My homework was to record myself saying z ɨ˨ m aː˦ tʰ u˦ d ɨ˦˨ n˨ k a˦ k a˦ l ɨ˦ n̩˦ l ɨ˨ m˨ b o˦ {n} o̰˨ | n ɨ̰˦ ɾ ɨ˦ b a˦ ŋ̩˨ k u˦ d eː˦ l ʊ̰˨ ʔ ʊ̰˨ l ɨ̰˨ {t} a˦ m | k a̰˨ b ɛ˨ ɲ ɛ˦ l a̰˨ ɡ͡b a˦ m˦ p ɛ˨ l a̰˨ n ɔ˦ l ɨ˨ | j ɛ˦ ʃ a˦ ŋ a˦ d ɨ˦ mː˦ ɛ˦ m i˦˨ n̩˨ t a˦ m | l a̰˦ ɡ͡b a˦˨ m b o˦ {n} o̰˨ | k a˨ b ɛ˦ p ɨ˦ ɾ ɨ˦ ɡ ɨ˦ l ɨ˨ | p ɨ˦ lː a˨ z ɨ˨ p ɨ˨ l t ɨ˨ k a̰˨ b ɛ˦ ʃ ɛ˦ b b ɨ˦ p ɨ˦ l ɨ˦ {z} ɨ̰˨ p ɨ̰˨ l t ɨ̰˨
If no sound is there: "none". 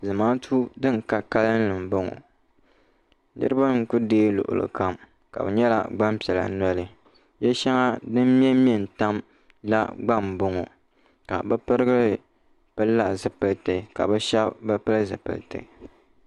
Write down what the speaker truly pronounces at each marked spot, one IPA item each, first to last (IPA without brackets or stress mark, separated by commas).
ŋ, k, ŋ, z